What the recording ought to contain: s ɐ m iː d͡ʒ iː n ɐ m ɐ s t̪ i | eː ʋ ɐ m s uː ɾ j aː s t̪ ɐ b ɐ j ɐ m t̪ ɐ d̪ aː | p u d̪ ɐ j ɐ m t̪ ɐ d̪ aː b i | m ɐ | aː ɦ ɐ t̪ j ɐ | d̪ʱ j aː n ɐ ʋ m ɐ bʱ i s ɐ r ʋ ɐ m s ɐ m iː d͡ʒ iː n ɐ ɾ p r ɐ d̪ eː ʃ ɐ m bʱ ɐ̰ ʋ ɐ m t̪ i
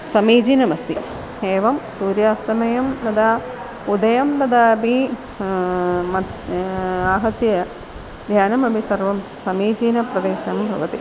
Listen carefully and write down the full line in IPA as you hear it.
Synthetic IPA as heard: s ɐ m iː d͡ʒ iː n ɐ m ɐ s t̪ i | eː ʋ ɐ m s uː ɾ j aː s t̪ ɐ m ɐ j ɐ m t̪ ɐ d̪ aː | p u d̪ ɐ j ɐ m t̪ ɐ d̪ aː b i | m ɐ | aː ɦ ɐ t̪ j ɐ | d̪ʱ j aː n ɐ m ɐ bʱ i s ɐ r ʋ ɐ m s ɐ m iː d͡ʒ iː n ɐ p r ɐ d̪ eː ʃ ɐ m bʱ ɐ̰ ʋ ɐ t̪ i

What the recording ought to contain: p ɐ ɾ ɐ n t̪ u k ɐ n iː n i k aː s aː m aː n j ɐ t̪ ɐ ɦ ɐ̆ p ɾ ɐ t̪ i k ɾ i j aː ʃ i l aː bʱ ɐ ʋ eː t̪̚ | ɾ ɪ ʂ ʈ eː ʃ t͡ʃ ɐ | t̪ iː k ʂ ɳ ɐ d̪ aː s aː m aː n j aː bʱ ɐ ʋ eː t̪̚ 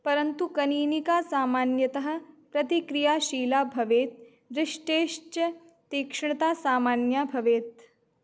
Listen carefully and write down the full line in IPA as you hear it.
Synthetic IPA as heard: p ɐ ɾ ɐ n t̪ u k ɐ n iː n i k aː s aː m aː n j ɐ t̪ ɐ ɦ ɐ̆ p ɾ ɐ t̪ i k ɾ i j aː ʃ iː l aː bʱ ɐ ʋ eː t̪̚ | ɾ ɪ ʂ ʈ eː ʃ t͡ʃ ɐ | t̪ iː k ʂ ɳ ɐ t̪ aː s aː m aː n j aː bʱ ɐ ʋ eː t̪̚

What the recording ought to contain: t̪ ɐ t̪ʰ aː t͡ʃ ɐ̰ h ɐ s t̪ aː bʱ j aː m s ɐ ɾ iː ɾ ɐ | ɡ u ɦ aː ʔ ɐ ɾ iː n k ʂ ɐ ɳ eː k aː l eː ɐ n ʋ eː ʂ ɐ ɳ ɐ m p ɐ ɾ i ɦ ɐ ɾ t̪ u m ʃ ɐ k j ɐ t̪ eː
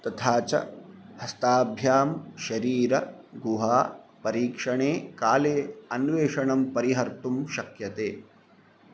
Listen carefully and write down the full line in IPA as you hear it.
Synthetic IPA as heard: t̪ ɐ t̪ʰ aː t͡ʃ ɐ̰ h ɐ s t̪ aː bʱ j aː m ʃ ɐ ɾ iː ɾ ɐ | ɡ u ɦ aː p ɐ ɾ iː k ʂ ɐ ɳ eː k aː l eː ɐ n ʋ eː ʂ ɐ ɳ ɐ m p ɐ ɾ i ɦ ɐ ɾ t̪ u m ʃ ɐ k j ɐ t̪ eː

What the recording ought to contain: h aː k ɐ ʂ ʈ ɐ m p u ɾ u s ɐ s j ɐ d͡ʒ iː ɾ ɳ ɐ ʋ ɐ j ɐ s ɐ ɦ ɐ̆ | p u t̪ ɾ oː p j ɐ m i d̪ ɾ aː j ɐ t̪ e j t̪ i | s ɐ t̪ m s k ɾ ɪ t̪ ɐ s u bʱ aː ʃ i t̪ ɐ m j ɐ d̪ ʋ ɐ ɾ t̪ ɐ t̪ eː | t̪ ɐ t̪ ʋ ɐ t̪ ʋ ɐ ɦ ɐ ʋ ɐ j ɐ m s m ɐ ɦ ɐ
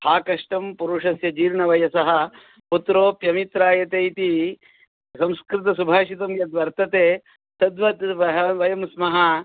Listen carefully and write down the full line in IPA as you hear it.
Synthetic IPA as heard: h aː k ɐ ʂ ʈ ɐ m p u ɾ u ʂ ɐ s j ɐ d͡ʒ iː ɾ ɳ ɐ ʋ ɐ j ɐ s ɐ ɦ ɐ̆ | p u t̪ ɾ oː p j ɐ m i t̪ ɾ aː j ɐ t̪ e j t̪ i | s ɐ m s k ɾ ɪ t̪ ɐ s u bʱ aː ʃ i t̪ ɐ m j ɐ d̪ ʋ ɐ ɾ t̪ ɐ t̪ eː | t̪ ɐ d̪ ʋ ɐ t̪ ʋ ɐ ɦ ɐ ʋ ɐ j ɐ m s m ɐ ɦ ɐ

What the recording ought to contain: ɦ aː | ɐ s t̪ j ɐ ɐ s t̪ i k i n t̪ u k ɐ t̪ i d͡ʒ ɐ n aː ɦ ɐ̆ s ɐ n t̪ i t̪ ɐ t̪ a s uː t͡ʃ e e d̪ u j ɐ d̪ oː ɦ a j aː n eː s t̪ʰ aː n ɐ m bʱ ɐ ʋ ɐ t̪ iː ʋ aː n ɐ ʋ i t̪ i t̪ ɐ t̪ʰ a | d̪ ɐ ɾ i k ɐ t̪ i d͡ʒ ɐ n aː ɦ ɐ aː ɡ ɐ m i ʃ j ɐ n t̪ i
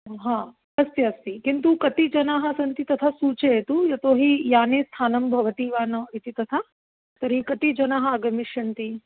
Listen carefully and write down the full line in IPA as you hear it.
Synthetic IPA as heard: ɦ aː | ɐ s t̪ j ɐ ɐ s t̪ i k i n t̪ u k ɐ t̪ i d͡ʒ ɐ n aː ɦ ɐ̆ s ɐ n t̪ i t̪ ɐ t̪ʰ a s uː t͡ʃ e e t̪ u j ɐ t̪ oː ɦ i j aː n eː s t̪ʰ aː n ɐ m bʱ ɐ ʋ ɐ t̪ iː ʋ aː n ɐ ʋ i t̪ i t̪ ɐ t̪ʰ a | t̪ ɐ ɾ i k ɐ t̪ i d͡ʒ ɐ n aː ɦ ɐ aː ɡ ɐ m i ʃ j ɐ n t̪ i

